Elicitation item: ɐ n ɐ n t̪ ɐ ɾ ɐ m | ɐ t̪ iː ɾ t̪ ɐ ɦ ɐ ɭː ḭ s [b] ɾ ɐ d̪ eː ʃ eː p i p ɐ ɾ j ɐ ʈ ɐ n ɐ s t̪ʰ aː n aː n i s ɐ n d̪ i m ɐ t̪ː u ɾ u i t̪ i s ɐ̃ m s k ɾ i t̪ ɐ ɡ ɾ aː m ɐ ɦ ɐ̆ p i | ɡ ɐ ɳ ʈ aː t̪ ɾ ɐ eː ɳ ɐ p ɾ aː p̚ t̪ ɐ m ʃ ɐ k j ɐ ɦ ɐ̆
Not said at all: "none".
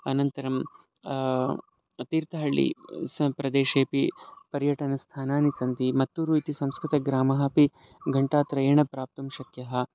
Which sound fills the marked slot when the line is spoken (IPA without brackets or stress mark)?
p